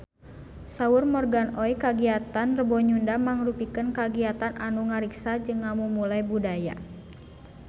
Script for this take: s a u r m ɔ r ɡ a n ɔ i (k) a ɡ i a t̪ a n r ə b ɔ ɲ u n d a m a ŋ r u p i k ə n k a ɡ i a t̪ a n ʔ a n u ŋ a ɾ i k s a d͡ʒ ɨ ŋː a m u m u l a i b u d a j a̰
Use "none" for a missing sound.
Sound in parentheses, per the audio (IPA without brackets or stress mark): k